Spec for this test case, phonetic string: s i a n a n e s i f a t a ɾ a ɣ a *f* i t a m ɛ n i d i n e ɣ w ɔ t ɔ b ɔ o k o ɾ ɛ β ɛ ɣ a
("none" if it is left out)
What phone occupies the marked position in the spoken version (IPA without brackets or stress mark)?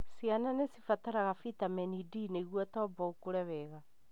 f